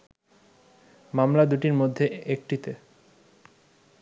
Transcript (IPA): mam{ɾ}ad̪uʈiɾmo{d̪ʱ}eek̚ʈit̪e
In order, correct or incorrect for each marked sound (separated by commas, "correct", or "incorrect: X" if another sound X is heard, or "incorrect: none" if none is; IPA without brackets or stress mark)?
incorrect: l, incorrect: d̪ʱː